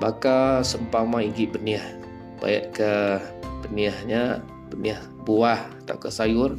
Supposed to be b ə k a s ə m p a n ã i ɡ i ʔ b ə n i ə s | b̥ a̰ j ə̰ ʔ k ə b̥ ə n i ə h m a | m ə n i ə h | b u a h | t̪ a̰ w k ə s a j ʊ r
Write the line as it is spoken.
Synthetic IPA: b a k a s ə m p a m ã i ɡ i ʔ b ə n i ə h | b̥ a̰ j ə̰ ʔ k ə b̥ ə n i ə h ɲ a | b ə n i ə h | b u a h | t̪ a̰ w k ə s a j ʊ r